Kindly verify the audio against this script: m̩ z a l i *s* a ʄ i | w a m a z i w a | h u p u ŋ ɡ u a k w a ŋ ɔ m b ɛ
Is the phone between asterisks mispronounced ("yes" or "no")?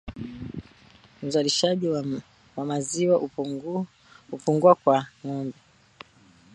yes